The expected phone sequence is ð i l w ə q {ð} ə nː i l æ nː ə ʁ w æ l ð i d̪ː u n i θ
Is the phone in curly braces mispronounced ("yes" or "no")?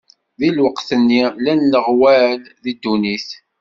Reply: yes